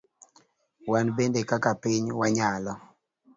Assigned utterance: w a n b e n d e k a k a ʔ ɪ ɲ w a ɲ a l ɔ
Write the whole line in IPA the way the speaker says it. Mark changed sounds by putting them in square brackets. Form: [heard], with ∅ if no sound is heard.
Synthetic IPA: w a n b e n d e k a k a [p] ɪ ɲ w a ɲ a l ɔ